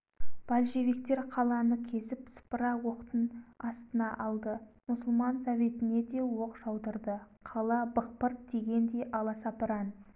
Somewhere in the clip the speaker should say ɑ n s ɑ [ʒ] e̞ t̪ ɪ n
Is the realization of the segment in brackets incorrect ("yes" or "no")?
yes